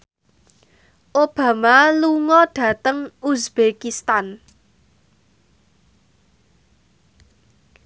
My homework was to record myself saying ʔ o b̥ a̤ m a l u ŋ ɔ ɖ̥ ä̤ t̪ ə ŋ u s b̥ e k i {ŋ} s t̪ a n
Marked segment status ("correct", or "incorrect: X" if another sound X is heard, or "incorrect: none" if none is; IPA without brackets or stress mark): incorrect: none